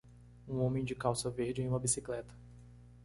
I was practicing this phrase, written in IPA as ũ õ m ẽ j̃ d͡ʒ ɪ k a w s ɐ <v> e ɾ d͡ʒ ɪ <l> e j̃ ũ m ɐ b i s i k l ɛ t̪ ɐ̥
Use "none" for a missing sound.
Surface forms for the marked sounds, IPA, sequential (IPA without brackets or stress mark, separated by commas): v, none